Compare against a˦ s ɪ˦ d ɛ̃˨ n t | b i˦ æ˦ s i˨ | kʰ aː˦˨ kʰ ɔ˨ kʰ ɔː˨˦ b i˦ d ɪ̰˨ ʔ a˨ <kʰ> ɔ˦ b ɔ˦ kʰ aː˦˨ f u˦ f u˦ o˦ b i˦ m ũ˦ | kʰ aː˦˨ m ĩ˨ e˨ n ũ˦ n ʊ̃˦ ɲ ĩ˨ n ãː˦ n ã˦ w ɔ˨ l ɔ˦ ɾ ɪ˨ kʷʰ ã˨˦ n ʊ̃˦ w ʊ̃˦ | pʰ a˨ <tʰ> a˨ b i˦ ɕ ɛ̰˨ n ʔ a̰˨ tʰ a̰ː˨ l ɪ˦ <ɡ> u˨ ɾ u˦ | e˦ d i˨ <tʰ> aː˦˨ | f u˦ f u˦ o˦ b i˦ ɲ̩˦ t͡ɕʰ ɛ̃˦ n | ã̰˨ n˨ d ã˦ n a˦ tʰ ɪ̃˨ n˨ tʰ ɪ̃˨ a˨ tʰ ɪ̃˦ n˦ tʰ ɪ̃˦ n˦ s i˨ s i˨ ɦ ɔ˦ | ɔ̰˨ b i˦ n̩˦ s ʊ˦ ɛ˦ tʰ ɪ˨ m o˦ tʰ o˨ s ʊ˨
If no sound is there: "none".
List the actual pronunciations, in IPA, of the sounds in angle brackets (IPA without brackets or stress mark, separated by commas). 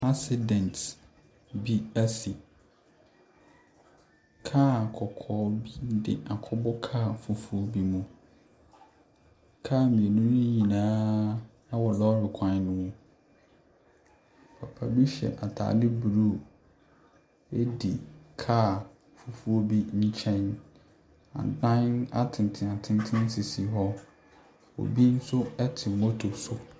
kʰ, pʰ, b, kʰ